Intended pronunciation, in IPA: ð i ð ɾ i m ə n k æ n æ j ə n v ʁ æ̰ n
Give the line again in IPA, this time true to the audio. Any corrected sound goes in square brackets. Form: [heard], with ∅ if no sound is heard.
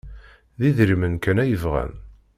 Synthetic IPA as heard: ð i ð ɾ i m ə n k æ n æ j ə [∅] v ʁ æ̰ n